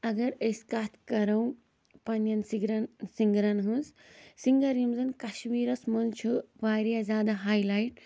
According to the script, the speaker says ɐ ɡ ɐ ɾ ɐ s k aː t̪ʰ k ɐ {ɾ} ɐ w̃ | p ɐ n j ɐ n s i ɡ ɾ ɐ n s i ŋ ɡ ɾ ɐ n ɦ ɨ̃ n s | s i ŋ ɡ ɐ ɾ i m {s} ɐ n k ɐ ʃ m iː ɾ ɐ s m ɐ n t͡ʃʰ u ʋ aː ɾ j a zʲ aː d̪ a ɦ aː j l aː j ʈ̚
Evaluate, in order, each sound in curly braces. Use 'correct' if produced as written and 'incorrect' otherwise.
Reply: correct, incorrect

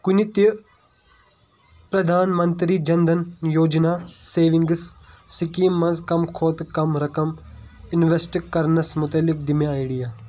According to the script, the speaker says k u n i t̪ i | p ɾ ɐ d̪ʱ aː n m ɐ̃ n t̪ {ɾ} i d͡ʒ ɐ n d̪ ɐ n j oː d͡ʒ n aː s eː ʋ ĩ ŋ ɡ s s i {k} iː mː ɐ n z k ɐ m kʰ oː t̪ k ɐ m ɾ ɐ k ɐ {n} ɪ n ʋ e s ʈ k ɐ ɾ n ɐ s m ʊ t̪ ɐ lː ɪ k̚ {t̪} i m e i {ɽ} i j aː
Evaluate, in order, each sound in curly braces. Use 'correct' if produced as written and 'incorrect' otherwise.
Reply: correct, correct, incorrect, incorrect, correct

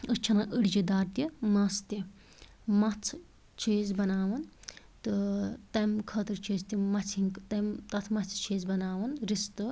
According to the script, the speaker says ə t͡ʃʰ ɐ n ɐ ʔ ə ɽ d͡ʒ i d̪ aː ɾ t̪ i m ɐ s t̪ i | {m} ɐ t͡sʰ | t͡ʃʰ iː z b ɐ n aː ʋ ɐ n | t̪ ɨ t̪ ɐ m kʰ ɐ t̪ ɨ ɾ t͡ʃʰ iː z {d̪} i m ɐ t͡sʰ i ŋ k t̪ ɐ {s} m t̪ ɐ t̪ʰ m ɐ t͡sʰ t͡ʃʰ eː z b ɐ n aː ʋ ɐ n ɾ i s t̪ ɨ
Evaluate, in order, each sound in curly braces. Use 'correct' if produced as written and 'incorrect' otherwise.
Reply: correct, incorrect, incorrect

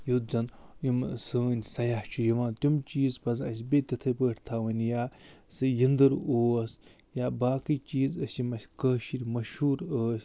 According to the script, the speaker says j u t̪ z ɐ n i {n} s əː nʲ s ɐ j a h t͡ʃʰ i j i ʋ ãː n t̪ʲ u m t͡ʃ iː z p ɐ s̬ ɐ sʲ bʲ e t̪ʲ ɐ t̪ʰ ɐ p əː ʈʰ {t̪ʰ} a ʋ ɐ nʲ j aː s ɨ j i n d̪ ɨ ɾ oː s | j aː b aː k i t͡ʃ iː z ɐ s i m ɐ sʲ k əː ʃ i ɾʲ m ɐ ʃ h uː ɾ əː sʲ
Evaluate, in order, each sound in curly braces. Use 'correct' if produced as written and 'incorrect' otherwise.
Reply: incorrect, correct

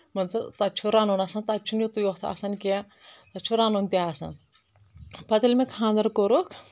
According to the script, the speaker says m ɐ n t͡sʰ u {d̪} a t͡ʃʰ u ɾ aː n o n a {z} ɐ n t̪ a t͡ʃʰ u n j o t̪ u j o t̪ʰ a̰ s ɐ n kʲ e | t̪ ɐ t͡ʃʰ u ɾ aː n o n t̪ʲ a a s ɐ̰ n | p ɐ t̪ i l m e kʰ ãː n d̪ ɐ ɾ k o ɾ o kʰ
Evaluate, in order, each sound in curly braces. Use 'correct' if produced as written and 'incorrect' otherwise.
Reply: incorrect, incorrect

